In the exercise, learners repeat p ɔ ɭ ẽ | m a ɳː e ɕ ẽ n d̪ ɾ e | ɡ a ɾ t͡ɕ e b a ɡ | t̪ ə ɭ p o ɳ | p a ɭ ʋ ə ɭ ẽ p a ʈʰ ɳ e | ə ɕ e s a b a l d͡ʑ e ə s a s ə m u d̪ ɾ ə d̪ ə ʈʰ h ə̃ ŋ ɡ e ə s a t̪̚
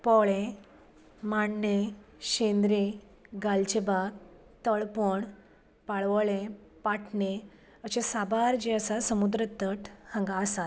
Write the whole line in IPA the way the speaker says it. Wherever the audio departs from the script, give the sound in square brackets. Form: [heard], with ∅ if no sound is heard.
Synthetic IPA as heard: p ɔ ɭ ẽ | m a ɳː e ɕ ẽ n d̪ ɾ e | ɡ a [l] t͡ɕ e b a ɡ | t̪ ə ɭ p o ɳ | p a ɭ ʋ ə ɭ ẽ p a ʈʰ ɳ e | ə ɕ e s a b a [ɾ] d͡ʑ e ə s a s ə m u d̪ ɾ ə [t̪] ə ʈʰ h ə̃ ŋ ɡ [a] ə s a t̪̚